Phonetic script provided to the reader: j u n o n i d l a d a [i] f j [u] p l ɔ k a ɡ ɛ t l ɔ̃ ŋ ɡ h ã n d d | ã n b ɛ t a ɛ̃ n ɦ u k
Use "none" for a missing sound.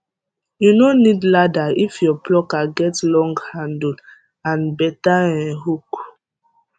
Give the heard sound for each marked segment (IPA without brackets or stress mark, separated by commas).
i, ɔ